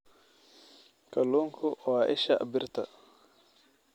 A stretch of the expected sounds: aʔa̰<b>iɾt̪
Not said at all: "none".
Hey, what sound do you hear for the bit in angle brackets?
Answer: b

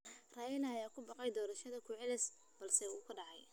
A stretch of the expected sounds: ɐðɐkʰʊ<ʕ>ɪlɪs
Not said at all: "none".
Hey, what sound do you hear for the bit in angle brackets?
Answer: ʕ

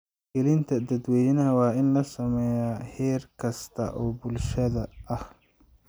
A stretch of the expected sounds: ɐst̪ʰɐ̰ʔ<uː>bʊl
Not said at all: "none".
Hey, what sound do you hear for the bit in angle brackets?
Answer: ɔː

